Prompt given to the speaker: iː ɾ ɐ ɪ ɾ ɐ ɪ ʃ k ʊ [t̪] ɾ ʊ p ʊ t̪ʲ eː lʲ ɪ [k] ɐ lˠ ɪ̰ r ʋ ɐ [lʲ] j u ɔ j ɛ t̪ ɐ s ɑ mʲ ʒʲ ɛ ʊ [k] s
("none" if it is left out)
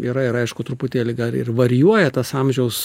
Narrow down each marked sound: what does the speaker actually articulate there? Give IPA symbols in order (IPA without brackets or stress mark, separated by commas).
t̪, ɡ, ɾʲ, none